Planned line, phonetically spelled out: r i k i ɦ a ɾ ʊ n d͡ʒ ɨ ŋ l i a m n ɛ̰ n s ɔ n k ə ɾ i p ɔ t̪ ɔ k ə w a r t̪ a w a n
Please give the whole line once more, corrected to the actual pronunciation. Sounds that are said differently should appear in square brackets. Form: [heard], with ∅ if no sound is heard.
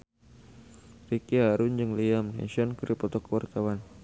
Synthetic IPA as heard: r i k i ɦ a ɾ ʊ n d͡ʒ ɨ ŋ l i a m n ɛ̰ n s ɔ n k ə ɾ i p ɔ t̪ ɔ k ə w a r t̪ a w a n